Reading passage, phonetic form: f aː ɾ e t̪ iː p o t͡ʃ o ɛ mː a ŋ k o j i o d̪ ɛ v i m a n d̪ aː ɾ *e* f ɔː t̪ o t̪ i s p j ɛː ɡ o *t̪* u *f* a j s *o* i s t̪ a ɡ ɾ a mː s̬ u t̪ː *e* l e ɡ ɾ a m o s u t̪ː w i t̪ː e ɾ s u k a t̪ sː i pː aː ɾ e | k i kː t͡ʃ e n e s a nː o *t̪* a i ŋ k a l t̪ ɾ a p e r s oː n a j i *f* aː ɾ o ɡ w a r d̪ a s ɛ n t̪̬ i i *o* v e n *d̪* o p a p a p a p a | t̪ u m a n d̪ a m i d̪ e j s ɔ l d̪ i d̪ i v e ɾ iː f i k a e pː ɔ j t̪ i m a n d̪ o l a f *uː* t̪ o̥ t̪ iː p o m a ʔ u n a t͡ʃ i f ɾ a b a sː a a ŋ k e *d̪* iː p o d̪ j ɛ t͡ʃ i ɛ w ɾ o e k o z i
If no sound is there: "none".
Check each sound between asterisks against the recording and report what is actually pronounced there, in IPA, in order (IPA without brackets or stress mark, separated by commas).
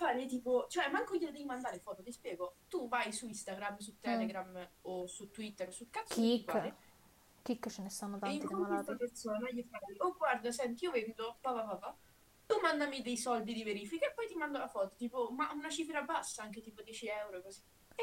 e, t̪, v, u, ɛ, t̪, f, o, d̪, ɔː, t̪